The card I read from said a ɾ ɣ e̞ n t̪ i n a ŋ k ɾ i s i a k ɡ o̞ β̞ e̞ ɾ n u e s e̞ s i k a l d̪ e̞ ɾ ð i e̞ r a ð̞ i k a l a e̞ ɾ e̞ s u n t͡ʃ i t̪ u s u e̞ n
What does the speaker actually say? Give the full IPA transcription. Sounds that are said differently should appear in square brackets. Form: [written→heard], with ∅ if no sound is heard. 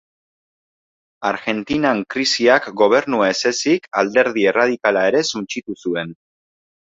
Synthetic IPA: a ɾ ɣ e̞ n t̪ i n a ŋ k ɾ i s i a k ɡ o̞ β̞ e̞ ɾ n u e s e̞ s i k a l d̪ e̞ ɾ ð i e̞ r a ð̞ i k a l a e̞ ɾ e̞ s u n t͡ʃ i t̪ u s u e̞ n

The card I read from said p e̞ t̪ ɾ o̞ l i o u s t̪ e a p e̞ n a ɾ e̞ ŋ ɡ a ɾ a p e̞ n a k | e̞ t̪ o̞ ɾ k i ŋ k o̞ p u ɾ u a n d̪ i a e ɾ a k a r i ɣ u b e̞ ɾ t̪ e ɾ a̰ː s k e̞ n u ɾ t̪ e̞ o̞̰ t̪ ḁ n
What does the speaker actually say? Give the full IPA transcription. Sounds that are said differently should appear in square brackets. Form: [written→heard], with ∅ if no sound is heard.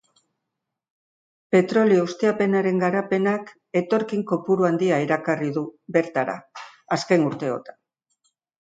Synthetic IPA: p e̞ t̪ ɾ o̞ l i o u s t̪ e a p e̞ n a ɾ e̞ ŋ ɡ a ɾ a p e̞ n a k | e̞ t̪ o̞ ɾ k i ŋ k o̞ p u ɾ u a n d̪ i a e ɾ a k a r i [ɣ→ð] u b e̞ ɾ t̪ [e→a] ɾ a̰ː s k e̞ n u ɾ t̪ e̞ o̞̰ t̪ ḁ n

